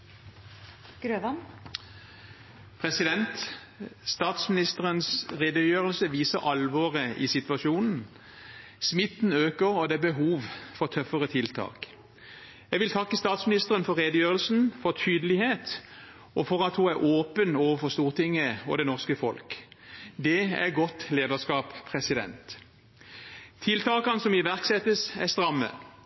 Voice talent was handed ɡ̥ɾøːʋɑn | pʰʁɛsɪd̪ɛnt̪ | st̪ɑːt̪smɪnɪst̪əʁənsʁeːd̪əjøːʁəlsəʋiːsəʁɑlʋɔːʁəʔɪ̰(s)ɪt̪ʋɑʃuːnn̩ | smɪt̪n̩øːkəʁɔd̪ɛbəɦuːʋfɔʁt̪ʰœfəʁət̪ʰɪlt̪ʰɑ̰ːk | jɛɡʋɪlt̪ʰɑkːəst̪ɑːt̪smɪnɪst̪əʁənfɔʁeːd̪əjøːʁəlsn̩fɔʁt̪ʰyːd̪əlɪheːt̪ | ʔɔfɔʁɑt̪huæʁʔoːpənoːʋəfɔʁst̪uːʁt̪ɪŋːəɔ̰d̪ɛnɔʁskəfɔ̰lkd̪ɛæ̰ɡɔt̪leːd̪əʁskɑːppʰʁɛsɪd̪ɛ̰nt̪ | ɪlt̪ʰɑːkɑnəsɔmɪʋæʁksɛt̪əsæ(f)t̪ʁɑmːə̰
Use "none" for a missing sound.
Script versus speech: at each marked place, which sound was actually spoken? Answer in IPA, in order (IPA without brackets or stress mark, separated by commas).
s, s